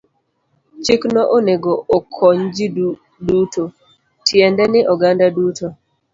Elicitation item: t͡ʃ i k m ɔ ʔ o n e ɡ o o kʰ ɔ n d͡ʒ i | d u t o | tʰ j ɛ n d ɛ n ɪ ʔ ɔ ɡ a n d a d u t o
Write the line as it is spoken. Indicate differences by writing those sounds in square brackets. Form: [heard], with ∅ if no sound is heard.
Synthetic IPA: t͡ʃ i k [n] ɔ ʔ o n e ɡ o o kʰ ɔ [ɲ] d͡ʒ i | d u t o | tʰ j ɛ n d ɛ n ɪ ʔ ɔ ɡ a n d a d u t o